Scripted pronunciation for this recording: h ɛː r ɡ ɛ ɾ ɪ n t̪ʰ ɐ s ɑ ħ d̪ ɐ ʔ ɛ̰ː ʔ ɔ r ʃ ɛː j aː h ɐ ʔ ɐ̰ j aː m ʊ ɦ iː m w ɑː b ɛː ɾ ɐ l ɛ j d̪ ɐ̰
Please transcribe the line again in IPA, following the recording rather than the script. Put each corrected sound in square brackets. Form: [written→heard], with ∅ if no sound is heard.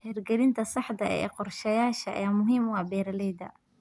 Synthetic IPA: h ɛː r ɡ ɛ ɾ ɪ n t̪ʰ ɐ s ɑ ħ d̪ ɐ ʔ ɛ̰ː [ʔ→q] ɔ r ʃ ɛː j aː [h→ʃ] ɐ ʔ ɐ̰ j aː m ʊ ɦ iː m w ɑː b ɛː ɾ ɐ l ɛ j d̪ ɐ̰